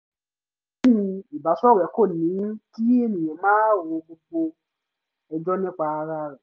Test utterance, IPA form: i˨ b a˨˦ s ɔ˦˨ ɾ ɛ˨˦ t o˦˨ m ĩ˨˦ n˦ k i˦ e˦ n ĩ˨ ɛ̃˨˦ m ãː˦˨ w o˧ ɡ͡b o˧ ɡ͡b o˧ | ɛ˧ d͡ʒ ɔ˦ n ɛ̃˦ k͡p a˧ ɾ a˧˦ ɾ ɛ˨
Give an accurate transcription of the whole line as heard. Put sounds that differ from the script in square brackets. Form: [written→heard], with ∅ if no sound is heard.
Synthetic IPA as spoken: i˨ b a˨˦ s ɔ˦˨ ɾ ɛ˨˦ [t→k] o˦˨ [m→n] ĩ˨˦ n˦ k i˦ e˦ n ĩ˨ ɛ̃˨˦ m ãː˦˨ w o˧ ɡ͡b o˧ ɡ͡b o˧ | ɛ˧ d͡ʒ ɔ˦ n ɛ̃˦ k͡p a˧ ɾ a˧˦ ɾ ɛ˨

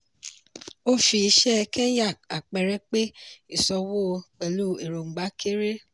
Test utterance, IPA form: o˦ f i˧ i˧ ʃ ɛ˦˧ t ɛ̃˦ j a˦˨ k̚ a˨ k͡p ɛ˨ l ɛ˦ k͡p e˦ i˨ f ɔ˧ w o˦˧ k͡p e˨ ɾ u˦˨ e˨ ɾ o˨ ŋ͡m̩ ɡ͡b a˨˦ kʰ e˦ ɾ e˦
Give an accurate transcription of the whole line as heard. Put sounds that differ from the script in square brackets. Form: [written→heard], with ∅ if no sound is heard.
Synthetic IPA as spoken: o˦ f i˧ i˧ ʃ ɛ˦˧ [t→k] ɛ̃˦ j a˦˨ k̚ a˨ k͡p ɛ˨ [l→ɾ] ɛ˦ k͡p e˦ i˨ [f→s] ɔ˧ w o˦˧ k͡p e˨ [ɾ→l] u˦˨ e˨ ɾ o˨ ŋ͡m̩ ɡ͡b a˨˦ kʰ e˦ ɾ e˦

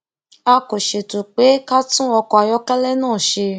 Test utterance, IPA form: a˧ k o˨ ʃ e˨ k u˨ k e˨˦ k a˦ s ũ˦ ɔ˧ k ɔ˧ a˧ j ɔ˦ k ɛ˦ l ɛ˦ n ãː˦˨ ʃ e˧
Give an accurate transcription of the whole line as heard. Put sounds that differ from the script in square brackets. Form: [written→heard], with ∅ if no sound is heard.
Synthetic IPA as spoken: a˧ k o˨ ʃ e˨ [k→t] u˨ [k→k͡p] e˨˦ k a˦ [s→t] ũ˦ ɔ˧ k ɔ˧ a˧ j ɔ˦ k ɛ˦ l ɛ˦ n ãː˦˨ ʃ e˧

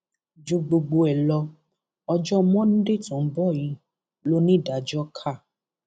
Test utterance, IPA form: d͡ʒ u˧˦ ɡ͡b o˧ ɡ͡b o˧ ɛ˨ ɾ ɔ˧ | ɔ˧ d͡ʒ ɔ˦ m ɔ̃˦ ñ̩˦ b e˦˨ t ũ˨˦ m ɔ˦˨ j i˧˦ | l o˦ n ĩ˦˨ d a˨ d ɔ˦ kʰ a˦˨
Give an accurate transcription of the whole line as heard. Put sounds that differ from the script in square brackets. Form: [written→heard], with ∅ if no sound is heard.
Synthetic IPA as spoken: d͡ʒ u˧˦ ɡ͡b o˧ ɡ͡b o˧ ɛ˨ [ɾ→l] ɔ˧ | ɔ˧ d͡ʒ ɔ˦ m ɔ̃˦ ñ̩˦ [b→d] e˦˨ t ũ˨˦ [m→b] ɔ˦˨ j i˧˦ | l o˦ n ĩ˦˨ d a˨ [d→d͡ʒ] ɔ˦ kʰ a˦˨

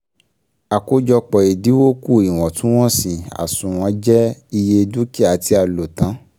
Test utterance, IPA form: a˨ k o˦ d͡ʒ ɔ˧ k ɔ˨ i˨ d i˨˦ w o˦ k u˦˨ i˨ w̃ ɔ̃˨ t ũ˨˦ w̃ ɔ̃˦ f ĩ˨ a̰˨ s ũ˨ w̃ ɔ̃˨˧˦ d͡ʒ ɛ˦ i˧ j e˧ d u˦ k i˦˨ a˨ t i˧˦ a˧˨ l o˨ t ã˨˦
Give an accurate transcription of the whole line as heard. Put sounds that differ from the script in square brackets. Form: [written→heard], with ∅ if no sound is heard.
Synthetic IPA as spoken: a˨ k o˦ d͡ʒ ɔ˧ [k→k͡p] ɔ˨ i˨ d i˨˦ w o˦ k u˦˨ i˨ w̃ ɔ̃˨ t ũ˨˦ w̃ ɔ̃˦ [f→s] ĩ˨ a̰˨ s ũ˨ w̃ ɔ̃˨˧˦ d͡ʒ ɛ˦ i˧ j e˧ d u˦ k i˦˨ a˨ t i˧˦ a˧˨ l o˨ t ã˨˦

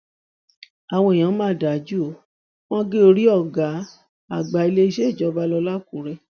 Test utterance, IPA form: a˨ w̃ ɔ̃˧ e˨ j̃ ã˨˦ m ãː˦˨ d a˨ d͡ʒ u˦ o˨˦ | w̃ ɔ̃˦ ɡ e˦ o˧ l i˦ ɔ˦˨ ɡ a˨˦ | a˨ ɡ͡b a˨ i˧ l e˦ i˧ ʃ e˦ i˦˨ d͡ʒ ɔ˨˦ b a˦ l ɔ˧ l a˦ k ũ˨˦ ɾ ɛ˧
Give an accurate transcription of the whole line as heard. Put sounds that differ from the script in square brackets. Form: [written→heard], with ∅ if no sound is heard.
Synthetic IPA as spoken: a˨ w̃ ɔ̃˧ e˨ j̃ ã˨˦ m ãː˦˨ d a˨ d͡ʒ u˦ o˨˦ | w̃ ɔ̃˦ ɡ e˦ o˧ [l→ɾ] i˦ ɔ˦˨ ɡ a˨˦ | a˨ ɡ͡b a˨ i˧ l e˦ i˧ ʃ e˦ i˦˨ d͡ʒ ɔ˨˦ b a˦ l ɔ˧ l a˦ k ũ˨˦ ɾ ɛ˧

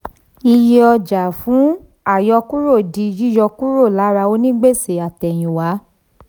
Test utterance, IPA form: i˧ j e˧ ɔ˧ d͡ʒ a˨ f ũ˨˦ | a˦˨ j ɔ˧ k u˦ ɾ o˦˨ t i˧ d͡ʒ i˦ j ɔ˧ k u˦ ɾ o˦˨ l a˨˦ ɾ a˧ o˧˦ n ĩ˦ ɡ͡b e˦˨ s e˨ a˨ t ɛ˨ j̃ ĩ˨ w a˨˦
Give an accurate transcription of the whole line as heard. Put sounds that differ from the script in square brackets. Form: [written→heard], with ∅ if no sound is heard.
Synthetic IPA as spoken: i˧ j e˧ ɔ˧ d͡ʒ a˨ f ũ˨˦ | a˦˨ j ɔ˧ k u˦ ɾ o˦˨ [t→d] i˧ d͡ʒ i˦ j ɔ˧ k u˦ ɾ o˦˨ l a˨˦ ɾ a˧ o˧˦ n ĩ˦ ɡ͡b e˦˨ s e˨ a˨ t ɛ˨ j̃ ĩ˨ w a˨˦

